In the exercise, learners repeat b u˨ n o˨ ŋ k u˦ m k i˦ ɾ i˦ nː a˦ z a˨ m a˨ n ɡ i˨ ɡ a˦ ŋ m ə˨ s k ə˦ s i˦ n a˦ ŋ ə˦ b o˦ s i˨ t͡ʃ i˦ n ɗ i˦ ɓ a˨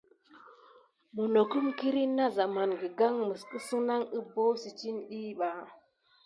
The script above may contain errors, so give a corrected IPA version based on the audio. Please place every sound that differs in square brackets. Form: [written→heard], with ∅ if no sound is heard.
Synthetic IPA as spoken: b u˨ n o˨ [ŋ→∅] k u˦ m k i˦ ɾ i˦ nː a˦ z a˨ m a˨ n ɡ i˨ ɡ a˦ ŋ m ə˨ s k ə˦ s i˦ n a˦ ŋ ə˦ b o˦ s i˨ t͡ʃ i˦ n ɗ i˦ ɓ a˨